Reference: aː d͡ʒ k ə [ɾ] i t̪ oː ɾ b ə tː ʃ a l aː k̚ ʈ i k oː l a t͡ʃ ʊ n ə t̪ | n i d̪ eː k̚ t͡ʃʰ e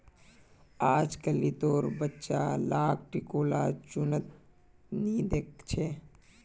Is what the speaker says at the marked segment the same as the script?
no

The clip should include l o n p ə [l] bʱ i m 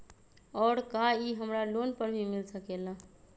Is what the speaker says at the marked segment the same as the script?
no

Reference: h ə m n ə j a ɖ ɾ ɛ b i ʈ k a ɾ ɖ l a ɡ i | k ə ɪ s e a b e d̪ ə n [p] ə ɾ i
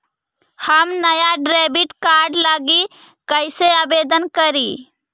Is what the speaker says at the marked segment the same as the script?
no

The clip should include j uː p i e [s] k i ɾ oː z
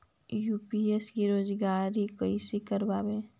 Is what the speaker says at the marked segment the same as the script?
yes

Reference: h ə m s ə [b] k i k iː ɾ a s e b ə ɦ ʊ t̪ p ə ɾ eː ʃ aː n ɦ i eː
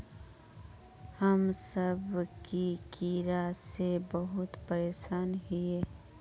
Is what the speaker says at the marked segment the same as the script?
yes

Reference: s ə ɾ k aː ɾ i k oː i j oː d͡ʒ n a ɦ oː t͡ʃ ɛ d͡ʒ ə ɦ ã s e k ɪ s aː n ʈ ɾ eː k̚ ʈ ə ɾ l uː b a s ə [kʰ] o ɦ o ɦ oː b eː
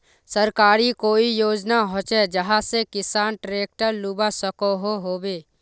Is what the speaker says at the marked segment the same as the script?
no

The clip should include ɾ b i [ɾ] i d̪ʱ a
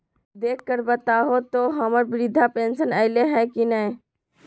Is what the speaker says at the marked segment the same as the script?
yes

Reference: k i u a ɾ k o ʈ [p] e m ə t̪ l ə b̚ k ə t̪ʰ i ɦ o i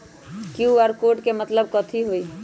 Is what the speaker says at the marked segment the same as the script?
no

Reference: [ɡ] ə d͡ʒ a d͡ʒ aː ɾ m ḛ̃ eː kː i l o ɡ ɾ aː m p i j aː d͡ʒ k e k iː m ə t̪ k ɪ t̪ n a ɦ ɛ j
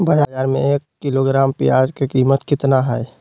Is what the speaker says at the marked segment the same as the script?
no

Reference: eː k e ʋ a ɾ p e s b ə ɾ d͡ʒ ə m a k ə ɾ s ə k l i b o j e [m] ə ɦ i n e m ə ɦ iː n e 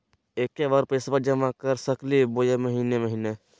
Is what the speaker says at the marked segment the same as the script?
yes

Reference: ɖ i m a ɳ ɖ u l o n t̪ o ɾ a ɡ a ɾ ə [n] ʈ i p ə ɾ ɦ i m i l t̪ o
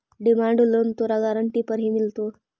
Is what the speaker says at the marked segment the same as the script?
no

